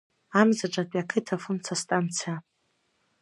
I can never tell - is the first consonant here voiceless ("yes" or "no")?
no